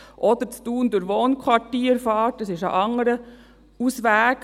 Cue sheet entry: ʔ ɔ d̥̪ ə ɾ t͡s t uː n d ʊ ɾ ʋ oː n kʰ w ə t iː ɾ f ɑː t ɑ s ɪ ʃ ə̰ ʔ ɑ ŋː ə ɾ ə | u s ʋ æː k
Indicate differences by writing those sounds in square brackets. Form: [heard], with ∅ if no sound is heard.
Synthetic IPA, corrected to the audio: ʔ ɔ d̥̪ ə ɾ t͡s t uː n d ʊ ɾ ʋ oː n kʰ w [ɑ] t iː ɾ f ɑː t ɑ s ɪ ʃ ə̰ ʔ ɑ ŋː ə ɾ ə | u s ʋ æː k